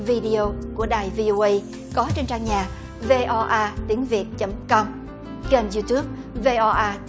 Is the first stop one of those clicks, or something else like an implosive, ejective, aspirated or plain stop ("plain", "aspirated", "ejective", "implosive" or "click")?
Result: implosive